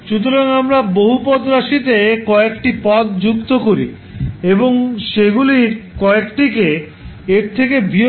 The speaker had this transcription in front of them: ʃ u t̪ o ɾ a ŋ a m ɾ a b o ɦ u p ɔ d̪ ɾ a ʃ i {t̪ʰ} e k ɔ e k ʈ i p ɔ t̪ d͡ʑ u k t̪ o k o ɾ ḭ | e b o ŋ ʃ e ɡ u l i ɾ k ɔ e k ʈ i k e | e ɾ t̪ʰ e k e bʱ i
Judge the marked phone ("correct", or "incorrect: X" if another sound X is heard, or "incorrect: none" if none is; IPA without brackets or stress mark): incorrect: t̪